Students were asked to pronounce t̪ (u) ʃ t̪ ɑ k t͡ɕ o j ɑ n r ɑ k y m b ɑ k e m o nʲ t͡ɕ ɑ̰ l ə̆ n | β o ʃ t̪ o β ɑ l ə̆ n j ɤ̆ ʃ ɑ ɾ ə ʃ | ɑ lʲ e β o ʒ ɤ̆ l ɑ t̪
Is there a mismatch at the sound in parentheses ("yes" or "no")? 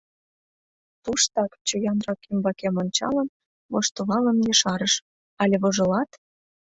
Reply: no